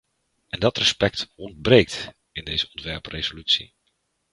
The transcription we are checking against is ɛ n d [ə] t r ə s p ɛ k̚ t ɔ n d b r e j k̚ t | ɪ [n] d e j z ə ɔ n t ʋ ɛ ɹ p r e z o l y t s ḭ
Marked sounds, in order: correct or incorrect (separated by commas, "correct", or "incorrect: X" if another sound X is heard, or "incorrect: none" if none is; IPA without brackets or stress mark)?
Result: incorrect: ɑ, correct